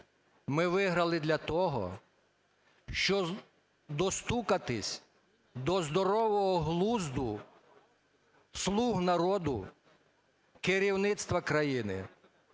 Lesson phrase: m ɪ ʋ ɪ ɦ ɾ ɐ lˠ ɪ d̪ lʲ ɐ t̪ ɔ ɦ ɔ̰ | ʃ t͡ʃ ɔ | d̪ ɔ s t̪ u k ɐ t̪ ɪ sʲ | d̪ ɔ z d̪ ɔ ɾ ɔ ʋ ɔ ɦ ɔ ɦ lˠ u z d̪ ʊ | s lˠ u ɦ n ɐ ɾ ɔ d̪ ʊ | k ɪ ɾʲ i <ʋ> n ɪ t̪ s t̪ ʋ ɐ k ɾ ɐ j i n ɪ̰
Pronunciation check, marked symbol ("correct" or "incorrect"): incorrect